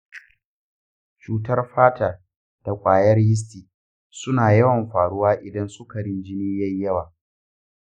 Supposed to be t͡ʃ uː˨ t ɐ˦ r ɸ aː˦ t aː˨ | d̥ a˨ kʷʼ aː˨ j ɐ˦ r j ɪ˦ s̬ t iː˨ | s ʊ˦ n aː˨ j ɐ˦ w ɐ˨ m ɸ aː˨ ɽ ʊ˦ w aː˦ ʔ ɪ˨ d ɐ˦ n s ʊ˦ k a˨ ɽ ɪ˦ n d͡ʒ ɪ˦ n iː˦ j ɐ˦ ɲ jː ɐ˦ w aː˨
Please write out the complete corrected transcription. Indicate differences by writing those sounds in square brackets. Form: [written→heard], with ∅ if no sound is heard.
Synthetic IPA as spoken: t͡ʃ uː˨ t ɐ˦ r ɸ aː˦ t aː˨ | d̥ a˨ kʷʼ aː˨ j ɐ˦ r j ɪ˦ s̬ t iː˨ | s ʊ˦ n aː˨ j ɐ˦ w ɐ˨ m ɸ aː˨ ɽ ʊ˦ w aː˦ ʔ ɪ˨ d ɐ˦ n s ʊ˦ k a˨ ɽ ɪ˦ n d͡ʒ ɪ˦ n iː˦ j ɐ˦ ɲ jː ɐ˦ w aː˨